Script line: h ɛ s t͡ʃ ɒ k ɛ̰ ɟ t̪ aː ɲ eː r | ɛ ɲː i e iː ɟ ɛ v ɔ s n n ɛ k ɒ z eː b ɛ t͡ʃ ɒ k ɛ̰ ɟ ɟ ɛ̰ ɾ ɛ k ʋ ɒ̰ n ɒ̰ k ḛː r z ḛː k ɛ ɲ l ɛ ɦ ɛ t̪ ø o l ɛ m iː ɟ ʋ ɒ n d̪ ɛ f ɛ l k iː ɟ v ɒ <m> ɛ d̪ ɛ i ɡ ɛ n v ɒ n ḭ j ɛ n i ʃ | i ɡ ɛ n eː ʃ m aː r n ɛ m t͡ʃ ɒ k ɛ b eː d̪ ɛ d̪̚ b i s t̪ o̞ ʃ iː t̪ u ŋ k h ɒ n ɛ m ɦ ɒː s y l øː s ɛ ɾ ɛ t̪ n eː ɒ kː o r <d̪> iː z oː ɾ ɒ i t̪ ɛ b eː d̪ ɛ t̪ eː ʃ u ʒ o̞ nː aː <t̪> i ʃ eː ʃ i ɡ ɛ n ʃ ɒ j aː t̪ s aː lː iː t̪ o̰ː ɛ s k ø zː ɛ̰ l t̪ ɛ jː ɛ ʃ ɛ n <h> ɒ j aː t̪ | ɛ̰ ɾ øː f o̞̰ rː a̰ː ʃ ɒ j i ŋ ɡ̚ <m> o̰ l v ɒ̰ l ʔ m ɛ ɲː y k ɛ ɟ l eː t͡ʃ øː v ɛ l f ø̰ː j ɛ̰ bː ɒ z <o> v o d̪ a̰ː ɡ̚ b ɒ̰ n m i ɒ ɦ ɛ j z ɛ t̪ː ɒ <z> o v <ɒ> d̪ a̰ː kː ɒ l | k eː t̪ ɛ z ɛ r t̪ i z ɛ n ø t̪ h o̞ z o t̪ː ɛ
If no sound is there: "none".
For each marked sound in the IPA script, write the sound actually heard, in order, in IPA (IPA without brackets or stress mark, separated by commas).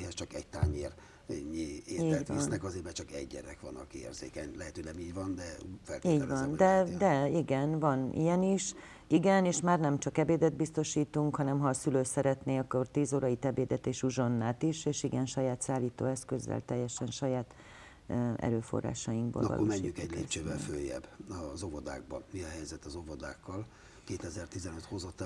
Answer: n, t̪, t̪, ʃ, b, o, z, o